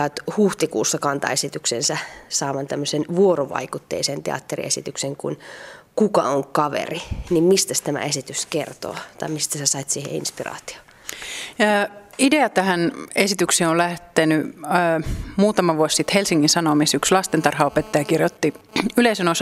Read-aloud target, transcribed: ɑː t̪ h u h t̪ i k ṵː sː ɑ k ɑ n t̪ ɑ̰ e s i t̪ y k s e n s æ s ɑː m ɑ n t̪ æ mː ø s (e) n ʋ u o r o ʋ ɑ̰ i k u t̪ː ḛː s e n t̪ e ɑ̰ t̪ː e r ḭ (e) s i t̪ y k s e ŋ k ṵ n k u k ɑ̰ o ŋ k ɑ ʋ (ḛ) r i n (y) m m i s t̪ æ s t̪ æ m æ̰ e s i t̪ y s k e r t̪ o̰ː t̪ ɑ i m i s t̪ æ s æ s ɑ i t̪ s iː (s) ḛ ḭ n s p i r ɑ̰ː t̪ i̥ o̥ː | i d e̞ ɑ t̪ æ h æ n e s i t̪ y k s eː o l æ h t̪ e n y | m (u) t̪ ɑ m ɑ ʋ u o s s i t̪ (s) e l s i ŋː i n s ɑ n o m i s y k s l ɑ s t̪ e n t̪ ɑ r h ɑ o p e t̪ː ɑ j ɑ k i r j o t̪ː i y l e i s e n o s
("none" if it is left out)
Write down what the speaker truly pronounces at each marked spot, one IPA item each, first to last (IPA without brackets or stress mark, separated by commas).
e, e, ḛ, i, h, uː, h